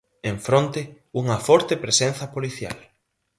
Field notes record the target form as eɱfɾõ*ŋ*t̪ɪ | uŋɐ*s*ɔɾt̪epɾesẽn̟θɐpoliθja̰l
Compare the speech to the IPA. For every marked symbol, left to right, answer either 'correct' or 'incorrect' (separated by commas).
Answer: incorrect, incorrect